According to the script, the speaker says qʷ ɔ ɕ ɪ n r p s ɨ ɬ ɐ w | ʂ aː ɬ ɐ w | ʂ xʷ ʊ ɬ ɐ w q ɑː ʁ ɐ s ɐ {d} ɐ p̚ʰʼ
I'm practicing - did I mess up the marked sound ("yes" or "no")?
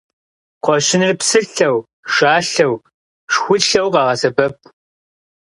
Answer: yes